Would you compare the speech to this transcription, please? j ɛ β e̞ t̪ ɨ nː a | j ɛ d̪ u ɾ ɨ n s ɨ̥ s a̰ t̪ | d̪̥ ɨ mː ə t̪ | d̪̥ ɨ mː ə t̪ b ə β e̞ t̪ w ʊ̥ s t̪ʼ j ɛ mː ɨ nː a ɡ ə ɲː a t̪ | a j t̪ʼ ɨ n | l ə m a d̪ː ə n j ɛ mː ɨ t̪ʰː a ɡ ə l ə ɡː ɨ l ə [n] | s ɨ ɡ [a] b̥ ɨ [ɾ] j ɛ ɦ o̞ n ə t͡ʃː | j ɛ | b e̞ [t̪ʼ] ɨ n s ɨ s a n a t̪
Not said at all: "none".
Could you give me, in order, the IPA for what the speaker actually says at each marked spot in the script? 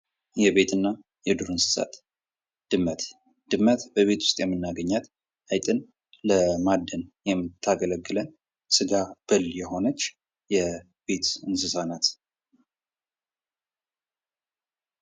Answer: n, a, l, t̪

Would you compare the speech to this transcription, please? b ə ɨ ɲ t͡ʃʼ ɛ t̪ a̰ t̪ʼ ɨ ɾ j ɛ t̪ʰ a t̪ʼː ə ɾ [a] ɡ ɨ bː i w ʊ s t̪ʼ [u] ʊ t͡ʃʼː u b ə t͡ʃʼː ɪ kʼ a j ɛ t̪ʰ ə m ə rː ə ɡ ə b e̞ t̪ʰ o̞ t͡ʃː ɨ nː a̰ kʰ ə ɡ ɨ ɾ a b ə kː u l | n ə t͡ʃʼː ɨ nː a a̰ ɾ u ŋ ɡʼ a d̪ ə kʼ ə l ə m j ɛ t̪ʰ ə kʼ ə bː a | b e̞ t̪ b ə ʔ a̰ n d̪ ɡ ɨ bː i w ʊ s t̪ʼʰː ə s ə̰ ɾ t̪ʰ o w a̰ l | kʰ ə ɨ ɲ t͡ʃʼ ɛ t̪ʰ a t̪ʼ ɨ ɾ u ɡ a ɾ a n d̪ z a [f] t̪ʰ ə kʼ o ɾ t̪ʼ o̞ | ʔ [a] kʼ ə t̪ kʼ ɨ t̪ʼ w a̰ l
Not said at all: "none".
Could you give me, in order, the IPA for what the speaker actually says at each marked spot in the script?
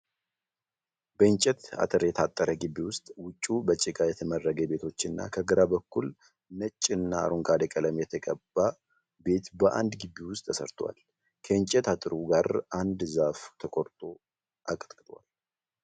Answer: ə, w, f, a

